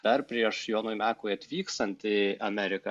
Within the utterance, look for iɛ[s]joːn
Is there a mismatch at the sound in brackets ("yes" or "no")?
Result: yes